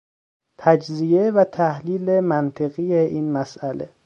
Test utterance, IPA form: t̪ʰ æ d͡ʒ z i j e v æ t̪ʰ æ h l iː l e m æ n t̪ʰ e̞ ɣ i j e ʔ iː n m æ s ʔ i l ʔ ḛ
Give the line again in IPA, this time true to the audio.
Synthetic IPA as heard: t̪ʰ æ d͡ʒ z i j e v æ t̪ʰ æ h l iː l e m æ n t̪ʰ e̞ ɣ i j e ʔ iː n m æ s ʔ æ l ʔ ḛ